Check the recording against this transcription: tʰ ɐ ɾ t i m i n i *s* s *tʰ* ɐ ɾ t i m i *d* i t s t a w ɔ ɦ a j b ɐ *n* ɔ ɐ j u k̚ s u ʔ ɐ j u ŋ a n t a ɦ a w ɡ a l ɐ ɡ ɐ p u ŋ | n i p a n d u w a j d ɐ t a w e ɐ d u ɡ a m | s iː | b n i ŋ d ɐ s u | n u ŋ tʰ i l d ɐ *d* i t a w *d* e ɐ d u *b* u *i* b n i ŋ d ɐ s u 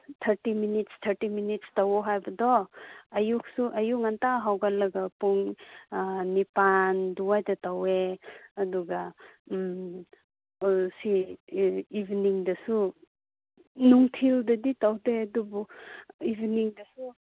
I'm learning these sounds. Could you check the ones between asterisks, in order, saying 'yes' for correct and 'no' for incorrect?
no, yes, no, no, yes, yes, yes, yes

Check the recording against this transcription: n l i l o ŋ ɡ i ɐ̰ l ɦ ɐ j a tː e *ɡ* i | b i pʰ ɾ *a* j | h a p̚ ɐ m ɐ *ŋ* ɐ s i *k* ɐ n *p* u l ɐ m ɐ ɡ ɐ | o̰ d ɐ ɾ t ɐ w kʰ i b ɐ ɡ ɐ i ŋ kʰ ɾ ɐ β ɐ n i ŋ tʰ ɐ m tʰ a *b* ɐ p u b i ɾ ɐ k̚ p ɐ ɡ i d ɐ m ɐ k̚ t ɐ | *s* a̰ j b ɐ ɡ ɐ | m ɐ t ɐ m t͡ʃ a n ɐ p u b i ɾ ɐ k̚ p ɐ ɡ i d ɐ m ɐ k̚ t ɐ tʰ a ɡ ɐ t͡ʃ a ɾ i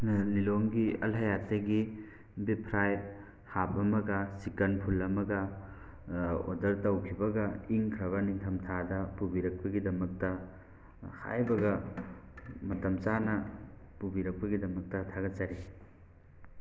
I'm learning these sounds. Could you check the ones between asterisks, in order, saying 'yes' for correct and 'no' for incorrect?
yes, yes, no, yes, no, no, no

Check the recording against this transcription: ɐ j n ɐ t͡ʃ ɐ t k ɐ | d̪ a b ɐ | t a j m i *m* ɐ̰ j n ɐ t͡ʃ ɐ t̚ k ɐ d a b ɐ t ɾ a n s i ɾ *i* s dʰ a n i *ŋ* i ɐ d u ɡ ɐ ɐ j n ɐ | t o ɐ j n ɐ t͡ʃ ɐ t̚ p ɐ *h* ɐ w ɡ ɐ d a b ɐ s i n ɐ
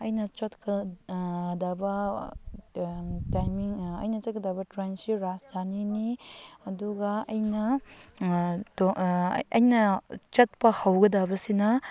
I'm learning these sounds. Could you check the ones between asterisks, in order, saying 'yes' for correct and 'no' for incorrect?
no, no, no, yes

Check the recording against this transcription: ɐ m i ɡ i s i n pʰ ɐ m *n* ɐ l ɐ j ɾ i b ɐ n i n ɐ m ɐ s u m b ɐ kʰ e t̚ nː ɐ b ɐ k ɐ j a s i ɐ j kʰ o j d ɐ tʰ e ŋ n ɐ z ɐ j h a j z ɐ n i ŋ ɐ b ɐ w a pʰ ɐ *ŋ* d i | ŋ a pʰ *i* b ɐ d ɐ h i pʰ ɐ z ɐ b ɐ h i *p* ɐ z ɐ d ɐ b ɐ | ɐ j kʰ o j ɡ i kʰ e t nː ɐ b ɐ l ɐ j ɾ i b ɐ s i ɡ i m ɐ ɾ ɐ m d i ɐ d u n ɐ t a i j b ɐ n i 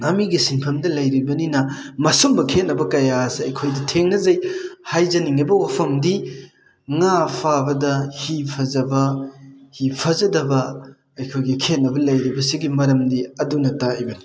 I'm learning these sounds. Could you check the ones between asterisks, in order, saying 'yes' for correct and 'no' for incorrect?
no, no, no, no

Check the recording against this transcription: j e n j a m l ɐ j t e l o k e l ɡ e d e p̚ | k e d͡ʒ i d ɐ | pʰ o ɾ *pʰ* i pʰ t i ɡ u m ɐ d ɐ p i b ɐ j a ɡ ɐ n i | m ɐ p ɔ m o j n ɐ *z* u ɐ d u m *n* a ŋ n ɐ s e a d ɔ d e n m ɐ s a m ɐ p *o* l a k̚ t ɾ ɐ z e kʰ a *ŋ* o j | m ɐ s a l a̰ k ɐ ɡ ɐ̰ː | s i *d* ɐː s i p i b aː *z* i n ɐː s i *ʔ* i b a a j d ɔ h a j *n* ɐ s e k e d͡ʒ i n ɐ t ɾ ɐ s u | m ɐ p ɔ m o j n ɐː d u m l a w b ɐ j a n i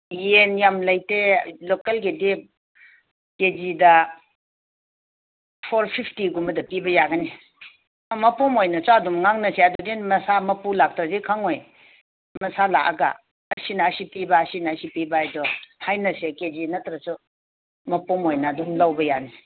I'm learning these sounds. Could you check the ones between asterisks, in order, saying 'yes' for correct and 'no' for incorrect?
yes, no, no, no, yes, no, no, no, yes

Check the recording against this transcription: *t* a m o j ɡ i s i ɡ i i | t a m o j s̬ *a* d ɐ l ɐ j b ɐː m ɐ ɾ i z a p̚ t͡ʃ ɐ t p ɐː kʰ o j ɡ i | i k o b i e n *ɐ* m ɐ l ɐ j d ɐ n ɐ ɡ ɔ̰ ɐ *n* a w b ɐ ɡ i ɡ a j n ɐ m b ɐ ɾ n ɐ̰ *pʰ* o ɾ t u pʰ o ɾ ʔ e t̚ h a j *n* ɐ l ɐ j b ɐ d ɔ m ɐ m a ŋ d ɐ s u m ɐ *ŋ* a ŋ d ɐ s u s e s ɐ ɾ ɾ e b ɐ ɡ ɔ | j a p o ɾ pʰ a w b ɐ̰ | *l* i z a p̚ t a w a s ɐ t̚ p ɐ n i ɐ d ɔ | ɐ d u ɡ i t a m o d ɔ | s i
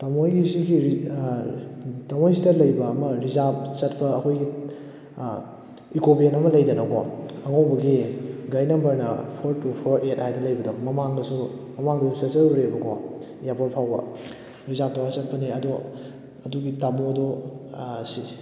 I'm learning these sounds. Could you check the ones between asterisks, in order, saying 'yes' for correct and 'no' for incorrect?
yes, no, yes, no, yes, no, no, no

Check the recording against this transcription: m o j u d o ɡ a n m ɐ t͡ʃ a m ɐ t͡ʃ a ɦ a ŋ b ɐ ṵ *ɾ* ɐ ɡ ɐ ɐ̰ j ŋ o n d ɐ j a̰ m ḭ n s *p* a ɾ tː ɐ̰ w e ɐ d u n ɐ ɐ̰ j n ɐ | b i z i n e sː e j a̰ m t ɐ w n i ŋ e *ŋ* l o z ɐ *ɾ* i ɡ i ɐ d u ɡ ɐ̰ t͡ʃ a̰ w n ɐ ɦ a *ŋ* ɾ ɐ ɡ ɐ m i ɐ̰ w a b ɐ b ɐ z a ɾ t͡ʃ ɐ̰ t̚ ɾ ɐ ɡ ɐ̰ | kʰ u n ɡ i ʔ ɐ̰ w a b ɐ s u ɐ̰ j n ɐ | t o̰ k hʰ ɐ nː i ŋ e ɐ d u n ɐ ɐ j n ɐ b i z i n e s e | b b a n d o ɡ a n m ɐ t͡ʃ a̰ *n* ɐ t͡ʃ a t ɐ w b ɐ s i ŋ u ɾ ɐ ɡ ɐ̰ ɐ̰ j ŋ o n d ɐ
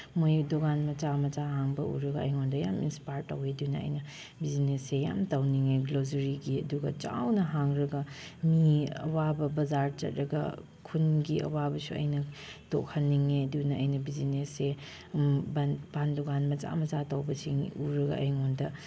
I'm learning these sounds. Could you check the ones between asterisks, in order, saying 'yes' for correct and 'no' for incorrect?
yes, yes, no, yes, yes, no

